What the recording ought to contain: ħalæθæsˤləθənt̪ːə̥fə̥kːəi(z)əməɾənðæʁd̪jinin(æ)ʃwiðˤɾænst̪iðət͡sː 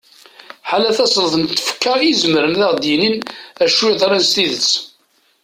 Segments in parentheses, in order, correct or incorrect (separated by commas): correct, correct